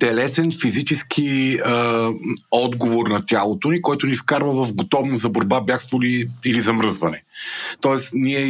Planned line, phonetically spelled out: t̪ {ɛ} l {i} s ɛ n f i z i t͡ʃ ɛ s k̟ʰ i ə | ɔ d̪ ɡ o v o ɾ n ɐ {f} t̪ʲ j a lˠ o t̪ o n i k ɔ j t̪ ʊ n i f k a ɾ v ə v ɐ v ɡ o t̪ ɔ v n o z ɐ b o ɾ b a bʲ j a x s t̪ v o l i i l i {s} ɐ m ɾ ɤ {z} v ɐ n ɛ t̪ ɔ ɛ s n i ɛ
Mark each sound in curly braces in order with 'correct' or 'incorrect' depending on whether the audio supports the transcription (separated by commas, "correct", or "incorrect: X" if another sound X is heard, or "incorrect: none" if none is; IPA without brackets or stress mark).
correct, incorrect: ɛ, incorrect: none, incorrect: z, correct